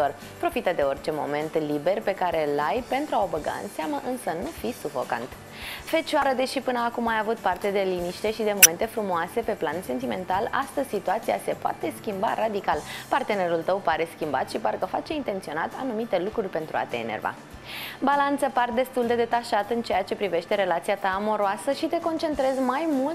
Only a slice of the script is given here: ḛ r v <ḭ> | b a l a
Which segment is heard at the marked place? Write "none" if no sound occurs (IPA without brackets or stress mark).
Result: a̰